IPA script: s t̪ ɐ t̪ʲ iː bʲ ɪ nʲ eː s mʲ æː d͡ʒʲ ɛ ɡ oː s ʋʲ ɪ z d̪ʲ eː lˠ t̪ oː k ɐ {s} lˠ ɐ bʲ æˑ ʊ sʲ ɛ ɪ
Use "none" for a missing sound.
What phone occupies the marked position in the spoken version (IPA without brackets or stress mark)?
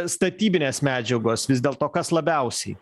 s